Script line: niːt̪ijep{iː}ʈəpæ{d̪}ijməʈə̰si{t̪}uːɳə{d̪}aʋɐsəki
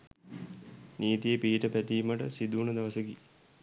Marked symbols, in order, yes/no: yes, no, no, yes

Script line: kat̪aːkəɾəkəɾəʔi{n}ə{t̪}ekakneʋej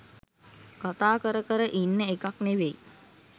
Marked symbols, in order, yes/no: no, no

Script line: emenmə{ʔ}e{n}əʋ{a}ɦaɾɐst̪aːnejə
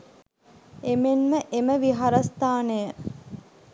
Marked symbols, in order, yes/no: yes, no, no

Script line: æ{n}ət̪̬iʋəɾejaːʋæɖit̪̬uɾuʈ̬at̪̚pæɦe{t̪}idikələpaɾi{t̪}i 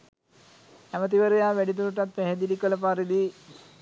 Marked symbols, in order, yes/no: no, no, no

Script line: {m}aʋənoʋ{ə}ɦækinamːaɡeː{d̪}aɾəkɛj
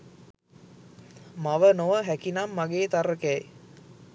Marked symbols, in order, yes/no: yes, yes, no

